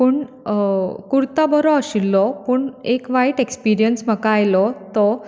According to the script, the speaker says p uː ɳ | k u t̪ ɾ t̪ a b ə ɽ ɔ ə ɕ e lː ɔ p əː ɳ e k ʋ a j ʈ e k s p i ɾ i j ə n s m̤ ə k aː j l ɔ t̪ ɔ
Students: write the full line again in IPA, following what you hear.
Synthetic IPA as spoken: p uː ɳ | k u ɾ t̪ a b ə ɾ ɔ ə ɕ i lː ɔ p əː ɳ e k ʋ a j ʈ e k s p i ɾ i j ə n s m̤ ə k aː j l ɔ t̪ ɔ